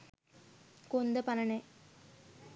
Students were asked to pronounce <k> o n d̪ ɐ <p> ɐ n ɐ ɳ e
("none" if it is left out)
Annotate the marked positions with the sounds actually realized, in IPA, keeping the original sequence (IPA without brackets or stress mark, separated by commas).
k, p